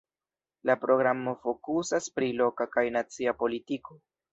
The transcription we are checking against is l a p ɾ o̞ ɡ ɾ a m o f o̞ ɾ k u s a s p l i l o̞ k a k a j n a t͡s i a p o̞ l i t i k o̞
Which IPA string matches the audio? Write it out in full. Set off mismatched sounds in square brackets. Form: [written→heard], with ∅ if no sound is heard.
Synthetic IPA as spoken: l a p ɾ o̞ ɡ ɾ a m o f o̞ [ɾ→∅] k u s a s p [l→ɾ] i l o̞ k a k a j n a t͡s i a p o̞ l i t i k o̞